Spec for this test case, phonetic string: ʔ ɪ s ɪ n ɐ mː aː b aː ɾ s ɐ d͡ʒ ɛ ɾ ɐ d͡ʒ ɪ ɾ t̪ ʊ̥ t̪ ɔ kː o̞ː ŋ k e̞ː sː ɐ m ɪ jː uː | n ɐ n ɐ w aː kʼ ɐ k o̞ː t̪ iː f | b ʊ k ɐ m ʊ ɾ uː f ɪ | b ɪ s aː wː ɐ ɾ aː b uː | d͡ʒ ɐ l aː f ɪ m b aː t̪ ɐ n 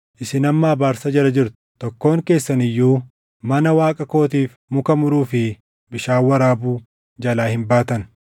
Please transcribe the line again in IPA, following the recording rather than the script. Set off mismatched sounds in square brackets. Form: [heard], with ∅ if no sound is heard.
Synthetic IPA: ʔ ɪ s ɪ n ɐ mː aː b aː ɾ s ɐ d͡ʒ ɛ ɾ ɐ d͡ʒ ɪ ɾ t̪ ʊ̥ t̪ ɔ kː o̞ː ŋ k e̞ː sː ɐ [n] ɪ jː uː | [m] ɐ n ɐ w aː kʼ ɐ k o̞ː t̪ iː f | [m] ʊ k ɐ m ʊ ɾ uː f ɪ | b ɪ [ʃ] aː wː ɐ ɾ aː b uː | d͡ʒ ɐ l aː [h] ɪ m b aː t̪ ɐ n